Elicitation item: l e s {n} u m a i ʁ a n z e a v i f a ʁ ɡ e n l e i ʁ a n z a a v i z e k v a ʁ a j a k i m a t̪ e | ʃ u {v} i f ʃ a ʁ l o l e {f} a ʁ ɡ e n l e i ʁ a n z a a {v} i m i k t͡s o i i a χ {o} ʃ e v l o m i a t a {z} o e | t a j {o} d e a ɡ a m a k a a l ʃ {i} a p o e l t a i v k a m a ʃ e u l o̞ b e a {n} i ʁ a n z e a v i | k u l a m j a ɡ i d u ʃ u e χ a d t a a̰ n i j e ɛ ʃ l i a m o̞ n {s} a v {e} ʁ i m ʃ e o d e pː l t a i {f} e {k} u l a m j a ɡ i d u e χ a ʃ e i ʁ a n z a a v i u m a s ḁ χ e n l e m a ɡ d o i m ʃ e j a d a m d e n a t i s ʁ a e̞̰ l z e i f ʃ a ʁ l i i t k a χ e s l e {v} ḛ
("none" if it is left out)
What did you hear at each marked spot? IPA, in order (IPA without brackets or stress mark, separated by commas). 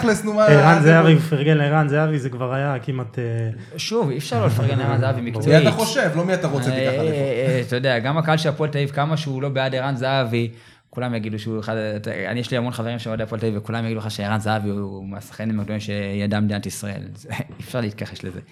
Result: n, v, f, v, o, ʁ, o, e, d, χ, e, v, k, z